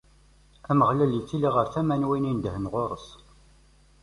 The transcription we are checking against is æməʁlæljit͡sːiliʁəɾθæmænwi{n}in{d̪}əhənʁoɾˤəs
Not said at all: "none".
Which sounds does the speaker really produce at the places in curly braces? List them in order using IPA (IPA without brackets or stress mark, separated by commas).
n, d̪